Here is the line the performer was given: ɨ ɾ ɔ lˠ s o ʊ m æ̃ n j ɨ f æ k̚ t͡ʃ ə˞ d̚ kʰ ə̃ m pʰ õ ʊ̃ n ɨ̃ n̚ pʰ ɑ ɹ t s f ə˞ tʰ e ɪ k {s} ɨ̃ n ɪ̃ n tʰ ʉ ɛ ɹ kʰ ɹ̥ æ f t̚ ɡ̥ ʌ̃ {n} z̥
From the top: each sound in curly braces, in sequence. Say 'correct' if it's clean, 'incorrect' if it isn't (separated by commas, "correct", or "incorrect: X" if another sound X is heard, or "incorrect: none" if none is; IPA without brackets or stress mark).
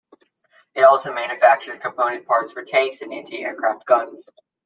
correct, correct